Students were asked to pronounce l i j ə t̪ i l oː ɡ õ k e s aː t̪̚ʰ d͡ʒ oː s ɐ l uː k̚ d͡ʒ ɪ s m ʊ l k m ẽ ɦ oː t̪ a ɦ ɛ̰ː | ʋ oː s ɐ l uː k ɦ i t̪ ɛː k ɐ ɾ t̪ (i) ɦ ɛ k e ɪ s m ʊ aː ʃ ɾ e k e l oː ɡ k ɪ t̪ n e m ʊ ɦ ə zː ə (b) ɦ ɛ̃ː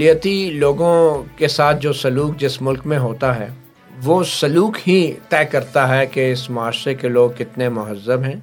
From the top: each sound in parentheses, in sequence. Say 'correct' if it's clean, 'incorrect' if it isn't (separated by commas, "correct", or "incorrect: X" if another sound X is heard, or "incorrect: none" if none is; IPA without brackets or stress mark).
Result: incorrect: a, correct